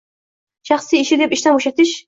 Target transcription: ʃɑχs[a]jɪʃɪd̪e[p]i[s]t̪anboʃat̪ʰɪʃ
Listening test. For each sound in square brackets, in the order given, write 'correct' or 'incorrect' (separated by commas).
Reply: incorrect, correct, incorrect